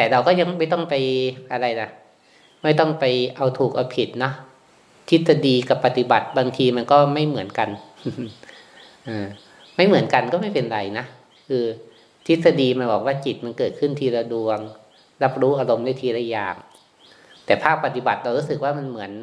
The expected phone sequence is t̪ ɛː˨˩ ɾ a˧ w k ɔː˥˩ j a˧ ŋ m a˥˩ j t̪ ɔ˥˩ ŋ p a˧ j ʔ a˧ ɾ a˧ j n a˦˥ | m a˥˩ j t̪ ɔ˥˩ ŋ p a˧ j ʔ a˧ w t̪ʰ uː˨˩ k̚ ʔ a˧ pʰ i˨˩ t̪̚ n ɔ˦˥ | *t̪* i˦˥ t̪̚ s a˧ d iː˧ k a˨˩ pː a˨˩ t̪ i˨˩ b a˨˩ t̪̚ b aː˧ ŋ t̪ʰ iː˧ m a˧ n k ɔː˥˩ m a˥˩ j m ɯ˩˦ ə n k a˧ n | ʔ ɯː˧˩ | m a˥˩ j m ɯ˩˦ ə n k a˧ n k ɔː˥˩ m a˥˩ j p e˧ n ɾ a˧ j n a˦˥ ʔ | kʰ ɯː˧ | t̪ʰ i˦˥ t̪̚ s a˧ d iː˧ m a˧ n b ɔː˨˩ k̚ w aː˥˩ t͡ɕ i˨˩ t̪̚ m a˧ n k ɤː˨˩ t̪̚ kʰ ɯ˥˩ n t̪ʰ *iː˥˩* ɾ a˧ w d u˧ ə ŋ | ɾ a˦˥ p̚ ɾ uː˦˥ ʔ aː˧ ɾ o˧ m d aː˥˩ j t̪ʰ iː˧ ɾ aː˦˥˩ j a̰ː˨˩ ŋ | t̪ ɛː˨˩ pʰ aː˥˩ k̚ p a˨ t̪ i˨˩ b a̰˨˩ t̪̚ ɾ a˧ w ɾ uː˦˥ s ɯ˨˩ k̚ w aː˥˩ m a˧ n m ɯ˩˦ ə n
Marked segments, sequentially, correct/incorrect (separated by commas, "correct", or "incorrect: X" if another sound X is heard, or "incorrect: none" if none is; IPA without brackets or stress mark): incorrect: t̪ʰ, incorrect: iː˧